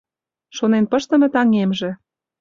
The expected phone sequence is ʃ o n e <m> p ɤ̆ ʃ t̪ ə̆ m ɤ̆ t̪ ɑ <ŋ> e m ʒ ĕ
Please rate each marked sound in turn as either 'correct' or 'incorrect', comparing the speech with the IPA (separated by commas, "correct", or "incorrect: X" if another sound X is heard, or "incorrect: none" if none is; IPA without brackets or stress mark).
incorrect: n, correct